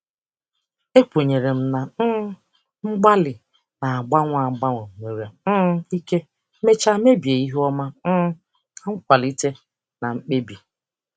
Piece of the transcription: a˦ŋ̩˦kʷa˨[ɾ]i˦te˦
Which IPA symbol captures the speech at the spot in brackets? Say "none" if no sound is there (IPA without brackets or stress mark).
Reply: l